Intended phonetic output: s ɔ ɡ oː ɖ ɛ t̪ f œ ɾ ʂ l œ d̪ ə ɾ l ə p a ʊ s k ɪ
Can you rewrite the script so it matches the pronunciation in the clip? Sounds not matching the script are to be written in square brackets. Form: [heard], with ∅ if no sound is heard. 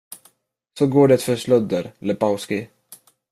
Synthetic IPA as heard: s ɔ ɡ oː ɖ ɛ t̪ f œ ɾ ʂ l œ d̪ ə ɾ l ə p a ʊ s k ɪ